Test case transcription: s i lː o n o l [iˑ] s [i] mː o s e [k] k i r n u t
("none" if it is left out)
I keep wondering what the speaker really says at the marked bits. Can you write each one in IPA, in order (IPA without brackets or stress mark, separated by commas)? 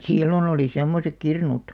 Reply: iˑ, e, k